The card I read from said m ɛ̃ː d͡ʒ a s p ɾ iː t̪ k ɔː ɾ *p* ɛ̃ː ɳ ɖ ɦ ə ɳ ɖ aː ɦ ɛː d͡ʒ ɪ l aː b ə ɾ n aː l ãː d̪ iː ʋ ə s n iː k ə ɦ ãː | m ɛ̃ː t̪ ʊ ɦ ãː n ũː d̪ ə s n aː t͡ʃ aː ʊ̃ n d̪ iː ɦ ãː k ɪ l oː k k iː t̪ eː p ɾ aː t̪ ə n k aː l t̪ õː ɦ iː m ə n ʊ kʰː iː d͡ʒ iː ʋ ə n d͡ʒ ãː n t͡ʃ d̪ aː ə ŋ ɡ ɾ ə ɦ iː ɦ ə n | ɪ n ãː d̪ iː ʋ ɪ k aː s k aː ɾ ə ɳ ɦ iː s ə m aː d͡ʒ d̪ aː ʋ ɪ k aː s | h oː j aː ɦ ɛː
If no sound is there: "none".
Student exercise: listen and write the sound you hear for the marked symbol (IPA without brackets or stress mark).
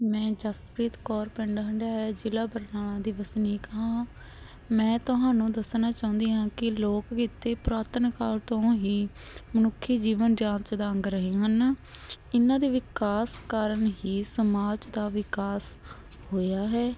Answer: p